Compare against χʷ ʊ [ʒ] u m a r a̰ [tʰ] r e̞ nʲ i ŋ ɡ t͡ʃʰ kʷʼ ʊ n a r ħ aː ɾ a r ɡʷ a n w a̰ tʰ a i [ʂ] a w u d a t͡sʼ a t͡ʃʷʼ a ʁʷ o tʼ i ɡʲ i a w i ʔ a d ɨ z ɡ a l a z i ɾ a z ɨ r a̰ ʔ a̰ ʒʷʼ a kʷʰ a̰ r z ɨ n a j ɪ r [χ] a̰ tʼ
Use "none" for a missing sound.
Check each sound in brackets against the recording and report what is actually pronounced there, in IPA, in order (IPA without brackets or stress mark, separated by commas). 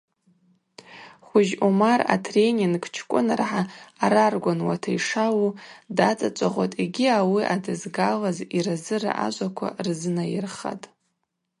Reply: ʒ, tʰ, ʂ, χ